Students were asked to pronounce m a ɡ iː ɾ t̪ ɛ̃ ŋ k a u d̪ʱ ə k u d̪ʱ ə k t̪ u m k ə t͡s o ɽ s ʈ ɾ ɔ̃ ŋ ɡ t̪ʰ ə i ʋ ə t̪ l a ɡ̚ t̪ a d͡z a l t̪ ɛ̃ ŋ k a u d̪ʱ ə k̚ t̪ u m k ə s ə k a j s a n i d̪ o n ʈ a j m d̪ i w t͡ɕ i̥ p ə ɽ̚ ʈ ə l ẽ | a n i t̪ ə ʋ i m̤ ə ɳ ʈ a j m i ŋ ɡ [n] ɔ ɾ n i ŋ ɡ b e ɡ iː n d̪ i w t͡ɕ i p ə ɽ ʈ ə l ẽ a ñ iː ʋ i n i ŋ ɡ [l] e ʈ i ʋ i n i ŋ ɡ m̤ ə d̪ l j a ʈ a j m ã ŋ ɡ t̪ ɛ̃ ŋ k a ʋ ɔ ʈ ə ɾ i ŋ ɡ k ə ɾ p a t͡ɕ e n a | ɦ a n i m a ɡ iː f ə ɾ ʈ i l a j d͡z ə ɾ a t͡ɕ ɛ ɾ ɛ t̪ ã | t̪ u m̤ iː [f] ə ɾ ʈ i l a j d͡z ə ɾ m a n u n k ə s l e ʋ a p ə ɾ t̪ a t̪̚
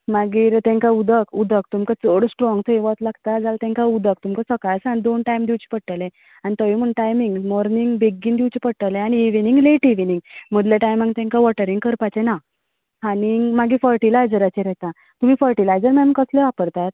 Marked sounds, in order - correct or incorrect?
incorrect: m, correct, correct

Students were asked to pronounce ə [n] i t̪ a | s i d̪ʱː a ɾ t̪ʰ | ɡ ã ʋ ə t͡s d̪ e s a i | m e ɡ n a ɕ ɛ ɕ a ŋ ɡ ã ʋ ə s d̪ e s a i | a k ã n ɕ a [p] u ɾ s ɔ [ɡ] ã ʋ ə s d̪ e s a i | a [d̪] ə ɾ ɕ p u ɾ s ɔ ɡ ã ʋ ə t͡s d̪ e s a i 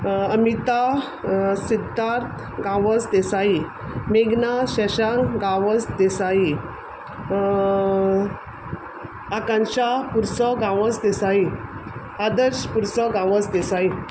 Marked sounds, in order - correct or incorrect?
incorrect: m, correct, correct, correct

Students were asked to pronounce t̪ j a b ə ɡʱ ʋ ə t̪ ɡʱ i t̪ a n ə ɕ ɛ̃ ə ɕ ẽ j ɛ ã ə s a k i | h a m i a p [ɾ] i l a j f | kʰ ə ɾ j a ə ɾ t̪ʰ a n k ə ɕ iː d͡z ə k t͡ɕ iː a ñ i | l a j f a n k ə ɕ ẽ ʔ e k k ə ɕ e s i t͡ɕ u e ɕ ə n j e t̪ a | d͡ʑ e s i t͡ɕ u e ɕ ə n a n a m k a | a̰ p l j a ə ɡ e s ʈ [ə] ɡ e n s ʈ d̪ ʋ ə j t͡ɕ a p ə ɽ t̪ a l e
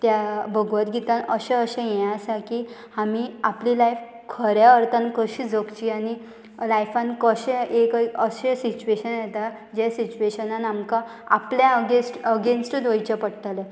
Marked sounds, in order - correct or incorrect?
incorrect: l, correct

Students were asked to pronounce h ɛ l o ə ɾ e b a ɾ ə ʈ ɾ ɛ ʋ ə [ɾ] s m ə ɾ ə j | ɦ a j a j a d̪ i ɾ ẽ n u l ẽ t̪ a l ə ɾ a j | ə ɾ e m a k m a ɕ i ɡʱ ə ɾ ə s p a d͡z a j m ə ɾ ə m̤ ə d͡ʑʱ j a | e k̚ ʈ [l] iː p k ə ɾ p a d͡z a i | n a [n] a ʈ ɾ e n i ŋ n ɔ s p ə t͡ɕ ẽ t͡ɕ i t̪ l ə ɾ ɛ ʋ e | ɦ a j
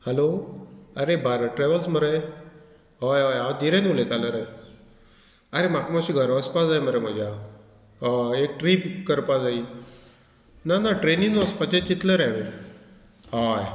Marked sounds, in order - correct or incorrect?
incorrect: l, incorrect: ɾ, correct

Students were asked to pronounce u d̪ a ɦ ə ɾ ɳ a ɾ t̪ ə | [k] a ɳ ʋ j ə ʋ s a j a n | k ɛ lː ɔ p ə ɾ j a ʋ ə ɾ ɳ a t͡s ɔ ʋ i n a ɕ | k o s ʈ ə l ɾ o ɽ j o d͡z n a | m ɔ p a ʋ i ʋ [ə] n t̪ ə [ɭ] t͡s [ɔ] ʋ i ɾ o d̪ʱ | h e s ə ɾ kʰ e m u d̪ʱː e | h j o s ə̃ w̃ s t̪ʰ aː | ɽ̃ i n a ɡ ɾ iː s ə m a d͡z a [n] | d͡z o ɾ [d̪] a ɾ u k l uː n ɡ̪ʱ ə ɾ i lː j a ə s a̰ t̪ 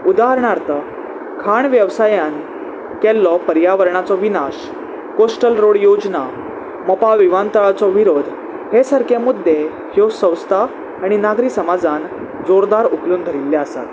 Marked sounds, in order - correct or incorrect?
incorrect: kʰ, incorrect: a, correct, correct, correct, correct

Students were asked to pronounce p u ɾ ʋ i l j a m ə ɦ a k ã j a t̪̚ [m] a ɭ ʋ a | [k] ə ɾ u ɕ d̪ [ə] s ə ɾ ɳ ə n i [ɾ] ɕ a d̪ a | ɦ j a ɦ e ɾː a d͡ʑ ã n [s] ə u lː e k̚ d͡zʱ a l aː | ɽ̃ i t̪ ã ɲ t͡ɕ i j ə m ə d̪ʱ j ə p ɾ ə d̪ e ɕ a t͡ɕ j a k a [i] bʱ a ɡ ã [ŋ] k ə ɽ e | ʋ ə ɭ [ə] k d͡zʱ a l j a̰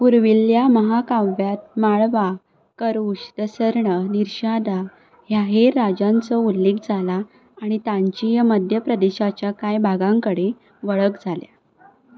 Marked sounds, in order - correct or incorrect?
correct, correct, correct, correct, incorrect: t͡s, incorrect: j, correct, correct

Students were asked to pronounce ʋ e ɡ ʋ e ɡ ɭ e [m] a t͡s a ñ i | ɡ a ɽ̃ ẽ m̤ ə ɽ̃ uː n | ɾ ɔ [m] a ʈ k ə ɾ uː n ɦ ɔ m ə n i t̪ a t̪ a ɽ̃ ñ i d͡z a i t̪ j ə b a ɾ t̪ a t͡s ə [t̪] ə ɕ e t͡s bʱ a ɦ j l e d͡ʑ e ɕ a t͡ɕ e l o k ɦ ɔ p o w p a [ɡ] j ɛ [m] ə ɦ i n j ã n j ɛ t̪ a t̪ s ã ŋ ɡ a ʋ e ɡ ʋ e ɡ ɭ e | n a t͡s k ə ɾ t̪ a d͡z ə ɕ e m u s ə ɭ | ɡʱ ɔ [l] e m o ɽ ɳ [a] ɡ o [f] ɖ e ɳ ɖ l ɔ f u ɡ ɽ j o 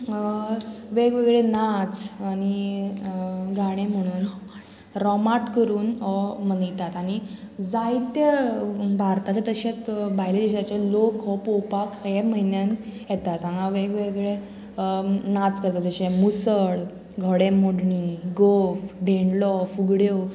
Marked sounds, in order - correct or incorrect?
incorrect: n, correct, correct, incorrect: k, correct, incorrect: ɽ, incorrect: i, correct

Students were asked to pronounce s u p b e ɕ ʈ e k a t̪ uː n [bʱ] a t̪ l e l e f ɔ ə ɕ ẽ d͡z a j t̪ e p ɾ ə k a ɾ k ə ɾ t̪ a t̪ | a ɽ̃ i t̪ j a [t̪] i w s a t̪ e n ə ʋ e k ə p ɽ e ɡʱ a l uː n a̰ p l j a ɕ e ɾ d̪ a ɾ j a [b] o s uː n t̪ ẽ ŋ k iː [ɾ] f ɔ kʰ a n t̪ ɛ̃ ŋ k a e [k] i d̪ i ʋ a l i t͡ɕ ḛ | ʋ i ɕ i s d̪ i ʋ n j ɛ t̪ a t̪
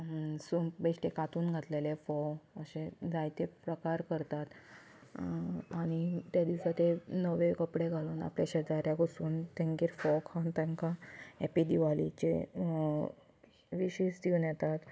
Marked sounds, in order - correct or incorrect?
incorrect: ɡʱ, incorrect: d̪, incorrect: ɡ, correct, incorrect: p

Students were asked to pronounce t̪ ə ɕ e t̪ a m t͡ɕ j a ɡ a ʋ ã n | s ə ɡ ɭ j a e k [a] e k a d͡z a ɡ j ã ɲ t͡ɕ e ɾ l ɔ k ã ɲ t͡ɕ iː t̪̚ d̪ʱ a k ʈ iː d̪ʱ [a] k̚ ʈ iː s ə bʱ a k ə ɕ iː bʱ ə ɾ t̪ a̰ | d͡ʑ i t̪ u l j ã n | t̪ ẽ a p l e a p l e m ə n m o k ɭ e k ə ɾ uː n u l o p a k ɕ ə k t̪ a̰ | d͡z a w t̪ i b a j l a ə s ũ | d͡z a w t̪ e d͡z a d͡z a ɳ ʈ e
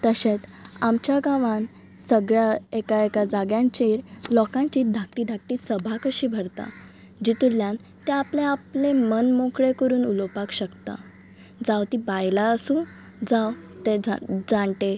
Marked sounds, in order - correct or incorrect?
correct, correct

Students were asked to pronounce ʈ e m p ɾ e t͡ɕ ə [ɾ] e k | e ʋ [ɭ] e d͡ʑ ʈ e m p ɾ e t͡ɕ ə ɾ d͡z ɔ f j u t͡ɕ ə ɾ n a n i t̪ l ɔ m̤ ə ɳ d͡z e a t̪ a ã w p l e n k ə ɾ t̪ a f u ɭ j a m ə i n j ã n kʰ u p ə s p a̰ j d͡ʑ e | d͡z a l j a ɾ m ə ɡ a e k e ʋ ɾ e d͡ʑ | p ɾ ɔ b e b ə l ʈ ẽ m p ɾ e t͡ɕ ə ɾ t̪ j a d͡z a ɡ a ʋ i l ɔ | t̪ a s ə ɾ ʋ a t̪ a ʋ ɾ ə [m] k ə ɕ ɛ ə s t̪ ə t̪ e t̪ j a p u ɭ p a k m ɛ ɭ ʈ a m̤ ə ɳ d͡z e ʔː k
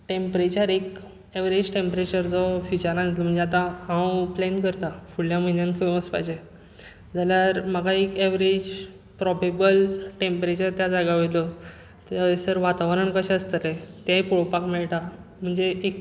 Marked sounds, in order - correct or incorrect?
correct, incorrect: ɾ, incorrect: ɳ

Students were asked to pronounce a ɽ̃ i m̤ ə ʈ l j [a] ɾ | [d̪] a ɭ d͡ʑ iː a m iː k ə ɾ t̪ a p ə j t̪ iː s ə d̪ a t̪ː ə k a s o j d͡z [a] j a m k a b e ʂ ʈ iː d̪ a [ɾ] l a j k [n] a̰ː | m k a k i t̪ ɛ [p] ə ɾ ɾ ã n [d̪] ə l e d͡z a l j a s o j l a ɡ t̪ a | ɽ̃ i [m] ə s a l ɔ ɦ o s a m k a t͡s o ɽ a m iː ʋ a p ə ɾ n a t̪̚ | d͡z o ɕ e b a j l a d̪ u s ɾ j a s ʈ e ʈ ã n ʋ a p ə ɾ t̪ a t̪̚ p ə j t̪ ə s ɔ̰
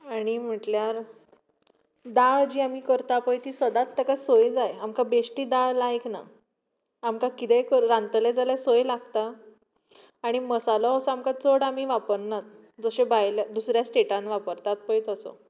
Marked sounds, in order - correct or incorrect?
correct, correct, correct, incorrect: ɭ, correct, incorrect: k, incorrect: t̪, correct

